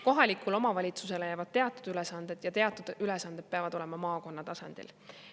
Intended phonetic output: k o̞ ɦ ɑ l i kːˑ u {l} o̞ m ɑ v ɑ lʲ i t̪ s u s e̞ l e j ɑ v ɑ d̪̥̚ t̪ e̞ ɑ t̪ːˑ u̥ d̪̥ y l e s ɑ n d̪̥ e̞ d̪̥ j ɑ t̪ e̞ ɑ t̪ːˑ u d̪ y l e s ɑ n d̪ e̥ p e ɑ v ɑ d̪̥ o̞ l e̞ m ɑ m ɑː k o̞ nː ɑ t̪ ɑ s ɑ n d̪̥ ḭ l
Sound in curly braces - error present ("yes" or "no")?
no